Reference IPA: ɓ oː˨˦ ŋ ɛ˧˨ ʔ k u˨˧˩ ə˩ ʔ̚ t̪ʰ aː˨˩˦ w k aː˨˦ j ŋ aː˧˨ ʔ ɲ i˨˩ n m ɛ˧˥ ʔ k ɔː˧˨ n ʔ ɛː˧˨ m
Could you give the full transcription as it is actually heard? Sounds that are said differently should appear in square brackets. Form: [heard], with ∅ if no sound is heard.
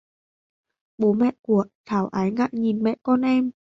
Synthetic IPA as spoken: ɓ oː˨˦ [m] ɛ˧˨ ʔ k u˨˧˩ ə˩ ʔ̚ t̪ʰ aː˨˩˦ w [ʔ] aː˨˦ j ŋ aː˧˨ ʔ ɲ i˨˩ n m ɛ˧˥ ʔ k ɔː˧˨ n ʔ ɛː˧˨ m